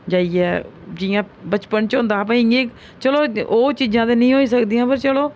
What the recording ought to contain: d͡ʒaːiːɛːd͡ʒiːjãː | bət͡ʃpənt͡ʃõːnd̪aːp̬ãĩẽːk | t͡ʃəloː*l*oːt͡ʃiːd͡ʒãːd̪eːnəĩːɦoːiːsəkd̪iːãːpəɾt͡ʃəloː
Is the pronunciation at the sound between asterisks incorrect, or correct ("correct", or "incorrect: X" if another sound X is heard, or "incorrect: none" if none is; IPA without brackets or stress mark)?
incorrect: none